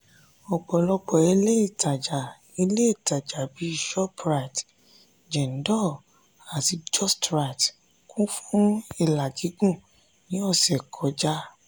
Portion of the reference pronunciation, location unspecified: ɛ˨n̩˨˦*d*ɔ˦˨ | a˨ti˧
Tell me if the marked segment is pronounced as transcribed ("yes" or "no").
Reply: yes